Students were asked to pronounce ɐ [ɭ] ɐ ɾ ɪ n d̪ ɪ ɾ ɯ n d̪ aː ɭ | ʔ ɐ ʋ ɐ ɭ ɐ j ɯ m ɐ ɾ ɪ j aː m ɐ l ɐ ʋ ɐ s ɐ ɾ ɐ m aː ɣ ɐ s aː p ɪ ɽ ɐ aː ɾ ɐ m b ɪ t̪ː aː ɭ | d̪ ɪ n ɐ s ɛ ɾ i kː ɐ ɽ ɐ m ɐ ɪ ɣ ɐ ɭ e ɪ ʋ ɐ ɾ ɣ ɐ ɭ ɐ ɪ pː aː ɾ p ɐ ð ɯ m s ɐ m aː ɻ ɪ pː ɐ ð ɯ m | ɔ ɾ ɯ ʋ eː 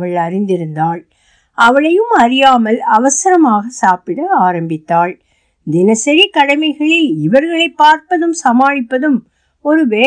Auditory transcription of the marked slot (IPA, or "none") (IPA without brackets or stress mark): ɭ